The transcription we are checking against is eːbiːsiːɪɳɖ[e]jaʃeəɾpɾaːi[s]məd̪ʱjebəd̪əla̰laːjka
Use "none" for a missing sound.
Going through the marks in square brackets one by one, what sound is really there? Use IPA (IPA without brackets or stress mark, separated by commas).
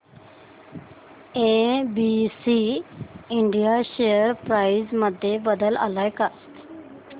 i, z